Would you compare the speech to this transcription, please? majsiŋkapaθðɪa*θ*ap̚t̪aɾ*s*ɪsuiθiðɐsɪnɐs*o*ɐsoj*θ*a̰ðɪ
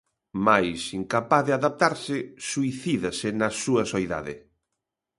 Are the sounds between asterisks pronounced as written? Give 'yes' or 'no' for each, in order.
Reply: no, yes, no, no

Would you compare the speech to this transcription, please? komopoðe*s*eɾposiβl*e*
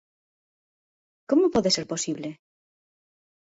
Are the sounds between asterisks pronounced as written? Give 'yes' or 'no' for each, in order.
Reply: yes, yes

